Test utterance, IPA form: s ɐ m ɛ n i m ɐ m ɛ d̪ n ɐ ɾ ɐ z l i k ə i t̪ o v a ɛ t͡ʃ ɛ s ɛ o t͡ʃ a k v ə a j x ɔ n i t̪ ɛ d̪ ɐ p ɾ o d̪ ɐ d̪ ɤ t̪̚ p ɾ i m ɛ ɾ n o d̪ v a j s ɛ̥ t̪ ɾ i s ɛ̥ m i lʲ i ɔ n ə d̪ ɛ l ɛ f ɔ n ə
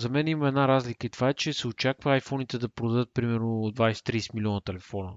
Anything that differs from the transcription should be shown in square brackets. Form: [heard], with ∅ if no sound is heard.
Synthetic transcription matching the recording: [z] ɐ m ɛ n i m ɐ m ɛ d̪ n [a] ɾ [a] z l i k ə i t̪ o v a ɛ t͡ʃ ɛ s ɛ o t͡ʃ a k v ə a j [f] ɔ n i t̪ ɛ d̪ ɐ p ɾ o d̪ ɐ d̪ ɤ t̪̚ p ɾ i m ɛ ɾ n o d̪ v a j s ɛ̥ t̪ ɾ i s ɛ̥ m i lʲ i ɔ n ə [t̪] ɛ l ɛ f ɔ n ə